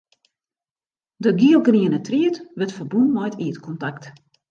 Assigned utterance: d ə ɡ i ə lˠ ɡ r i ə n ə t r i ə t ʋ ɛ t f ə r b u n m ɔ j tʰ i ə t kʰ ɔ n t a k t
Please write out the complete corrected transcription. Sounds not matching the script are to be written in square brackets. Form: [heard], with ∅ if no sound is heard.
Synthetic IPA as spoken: d ə ɡ i ə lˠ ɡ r i ə n ə t r i ə t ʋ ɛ t f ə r b u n m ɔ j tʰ i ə t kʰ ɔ n t a k t

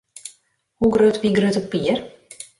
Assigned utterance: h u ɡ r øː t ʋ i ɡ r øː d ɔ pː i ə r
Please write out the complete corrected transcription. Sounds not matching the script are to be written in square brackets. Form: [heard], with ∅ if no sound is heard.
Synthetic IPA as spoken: h u ɡ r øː t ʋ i ɡ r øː [t] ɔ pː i ə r

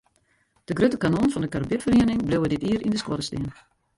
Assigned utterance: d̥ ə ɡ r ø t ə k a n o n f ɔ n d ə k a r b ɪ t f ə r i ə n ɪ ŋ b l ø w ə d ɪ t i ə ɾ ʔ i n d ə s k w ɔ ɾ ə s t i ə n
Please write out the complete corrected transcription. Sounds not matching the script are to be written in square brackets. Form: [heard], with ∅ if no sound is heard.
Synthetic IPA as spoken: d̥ ə ɡ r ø t ə k a n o n f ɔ n d ə k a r b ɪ t f ə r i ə n ɪ ŋ b l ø w ə d ɪ t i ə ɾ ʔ i n d ə s k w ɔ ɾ ə s t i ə n

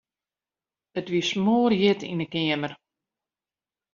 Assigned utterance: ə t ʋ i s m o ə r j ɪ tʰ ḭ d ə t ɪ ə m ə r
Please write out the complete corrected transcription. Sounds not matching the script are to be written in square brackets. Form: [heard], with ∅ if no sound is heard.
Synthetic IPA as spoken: ə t ʋ i s m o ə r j ɪ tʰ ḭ [n] ə [k] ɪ ə m ə r

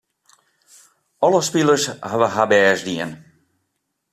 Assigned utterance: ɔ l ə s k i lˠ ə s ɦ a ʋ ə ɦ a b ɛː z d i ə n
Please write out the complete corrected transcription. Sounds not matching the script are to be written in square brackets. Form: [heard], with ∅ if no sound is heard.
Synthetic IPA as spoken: ɔ l ə s [p] i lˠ ə s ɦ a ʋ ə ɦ a b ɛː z d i ə n

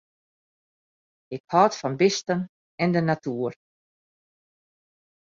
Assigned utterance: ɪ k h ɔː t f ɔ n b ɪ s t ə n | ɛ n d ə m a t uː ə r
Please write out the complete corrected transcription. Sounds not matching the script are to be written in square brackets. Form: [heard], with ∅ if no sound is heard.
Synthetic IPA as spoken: ɪ k h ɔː t f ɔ n b ɪ s t ə n | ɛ n d ə [n] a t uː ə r

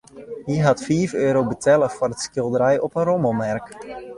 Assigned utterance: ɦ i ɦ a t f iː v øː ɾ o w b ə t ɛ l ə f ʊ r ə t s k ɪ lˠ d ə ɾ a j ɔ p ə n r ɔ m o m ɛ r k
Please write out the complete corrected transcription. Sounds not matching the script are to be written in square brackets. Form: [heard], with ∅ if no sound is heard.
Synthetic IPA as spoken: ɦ i ɦ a t f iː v øː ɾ o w b ə t ɛ l ə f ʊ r ə t s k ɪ lˠ d ə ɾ [ɛ] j ɔ p ə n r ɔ m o m ɛ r k

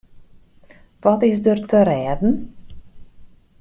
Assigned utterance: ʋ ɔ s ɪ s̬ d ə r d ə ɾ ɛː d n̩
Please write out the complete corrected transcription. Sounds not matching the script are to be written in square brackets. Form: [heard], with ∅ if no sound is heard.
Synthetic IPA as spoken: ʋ ɔ [t] ɪ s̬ d ə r [t] ə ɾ ɛː d n̩

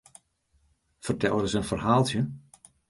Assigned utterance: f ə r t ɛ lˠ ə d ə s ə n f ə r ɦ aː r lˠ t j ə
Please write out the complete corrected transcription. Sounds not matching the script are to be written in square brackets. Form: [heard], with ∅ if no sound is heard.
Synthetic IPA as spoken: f ə r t ɛ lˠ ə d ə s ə n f ə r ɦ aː [∅] lˠ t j ə

